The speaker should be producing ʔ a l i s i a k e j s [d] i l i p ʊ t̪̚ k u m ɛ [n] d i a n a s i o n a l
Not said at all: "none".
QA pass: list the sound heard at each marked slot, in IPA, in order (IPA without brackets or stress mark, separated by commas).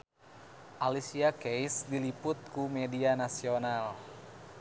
d, none